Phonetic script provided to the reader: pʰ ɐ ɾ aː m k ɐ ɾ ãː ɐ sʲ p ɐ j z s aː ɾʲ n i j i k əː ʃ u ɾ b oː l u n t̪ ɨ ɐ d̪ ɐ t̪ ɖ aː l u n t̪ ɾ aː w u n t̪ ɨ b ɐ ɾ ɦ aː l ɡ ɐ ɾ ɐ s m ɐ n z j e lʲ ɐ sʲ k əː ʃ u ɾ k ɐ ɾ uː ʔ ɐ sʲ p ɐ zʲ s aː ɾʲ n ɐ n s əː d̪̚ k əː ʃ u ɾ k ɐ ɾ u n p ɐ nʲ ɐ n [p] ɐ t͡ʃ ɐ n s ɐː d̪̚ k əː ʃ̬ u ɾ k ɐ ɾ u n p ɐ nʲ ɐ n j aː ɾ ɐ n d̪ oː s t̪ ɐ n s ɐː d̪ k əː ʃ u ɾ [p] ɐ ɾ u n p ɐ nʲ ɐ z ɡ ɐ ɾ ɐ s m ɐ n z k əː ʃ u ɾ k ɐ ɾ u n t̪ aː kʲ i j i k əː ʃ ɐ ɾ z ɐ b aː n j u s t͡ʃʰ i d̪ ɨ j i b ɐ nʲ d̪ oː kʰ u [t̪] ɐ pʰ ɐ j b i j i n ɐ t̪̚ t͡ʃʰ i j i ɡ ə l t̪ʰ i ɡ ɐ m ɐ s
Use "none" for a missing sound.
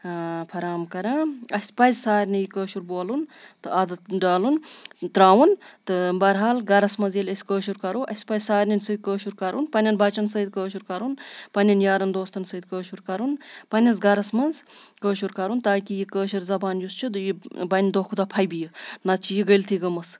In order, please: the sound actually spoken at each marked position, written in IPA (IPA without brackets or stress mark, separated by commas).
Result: b, k, d̪